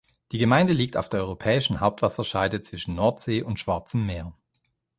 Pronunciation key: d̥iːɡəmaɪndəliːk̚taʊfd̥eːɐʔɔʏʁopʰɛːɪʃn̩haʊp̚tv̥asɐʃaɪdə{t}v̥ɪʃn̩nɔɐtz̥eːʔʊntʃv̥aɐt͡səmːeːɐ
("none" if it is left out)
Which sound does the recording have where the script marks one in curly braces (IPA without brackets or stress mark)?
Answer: t͡s